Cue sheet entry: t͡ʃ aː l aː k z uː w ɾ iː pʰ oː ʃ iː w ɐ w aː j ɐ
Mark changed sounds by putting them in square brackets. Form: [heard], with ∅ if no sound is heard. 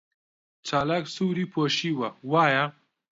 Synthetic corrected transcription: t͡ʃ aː l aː k [s] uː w ɾ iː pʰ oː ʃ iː w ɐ w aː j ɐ